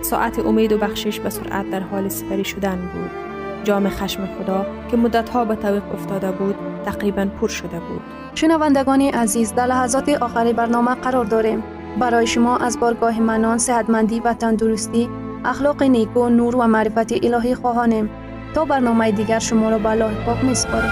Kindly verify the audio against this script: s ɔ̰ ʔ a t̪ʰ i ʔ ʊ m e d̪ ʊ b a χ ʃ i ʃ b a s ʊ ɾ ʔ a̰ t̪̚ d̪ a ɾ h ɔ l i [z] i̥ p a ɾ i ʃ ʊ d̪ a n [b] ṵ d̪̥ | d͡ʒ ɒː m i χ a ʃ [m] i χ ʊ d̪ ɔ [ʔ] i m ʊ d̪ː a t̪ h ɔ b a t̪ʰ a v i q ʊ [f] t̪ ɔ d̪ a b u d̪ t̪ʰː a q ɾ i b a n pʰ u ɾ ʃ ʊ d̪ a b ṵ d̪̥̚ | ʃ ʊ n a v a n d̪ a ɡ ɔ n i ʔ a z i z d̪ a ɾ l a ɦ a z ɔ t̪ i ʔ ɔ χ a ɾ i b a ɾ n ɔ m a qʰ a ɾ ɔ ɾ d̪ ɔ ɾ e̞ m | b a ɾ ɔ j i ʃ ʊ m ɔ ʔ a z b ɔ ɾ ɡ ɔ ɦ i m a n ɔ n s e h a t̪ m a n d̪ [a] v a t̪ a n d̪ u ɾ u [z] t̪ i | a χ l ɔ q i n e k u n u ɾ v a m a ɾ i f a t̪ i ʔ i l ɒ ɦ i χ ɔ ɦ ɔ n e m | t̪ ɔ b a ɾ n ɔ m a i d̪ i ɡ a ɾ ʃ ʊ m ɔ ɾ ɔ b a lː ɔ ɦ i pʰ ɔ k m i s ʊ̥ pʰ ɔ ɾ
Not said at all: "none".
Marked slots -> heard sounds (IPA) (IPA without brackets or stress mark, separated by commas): s, b, m, k, f, i, s